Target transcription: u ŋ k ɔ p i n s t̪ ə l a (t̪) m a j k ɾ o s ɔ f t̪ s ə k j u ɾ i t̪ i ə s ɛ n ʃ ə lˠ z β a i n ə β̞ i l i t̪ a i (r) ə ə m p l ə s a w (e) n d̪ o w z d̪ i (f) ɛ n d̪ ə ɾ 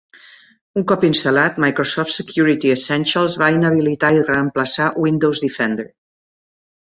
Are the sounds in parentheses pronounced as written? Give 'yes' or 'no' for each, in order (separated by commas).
yes, yes, no, yes